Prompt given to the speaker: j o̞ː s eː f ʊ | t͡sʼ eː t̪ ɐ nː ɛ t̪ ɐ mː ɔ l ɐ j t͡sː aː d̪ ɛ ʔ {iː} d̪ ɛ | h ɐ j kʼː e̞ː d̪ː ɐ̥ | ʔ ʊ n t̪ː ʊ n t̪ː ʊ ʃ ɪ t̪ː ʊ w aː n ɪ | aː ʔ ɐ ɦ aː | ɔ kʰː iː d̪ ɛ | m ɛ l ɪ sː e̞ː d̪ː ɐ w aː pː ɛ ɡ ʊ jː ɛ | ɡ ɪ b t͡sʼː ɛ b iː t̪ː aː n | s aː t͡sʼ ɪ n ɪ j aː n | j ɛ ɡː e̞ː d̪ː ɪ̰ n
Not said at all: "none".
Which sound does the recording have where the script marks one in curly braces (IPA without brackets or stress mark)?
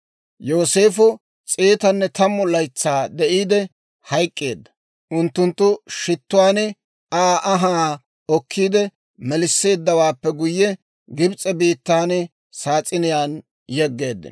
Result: iː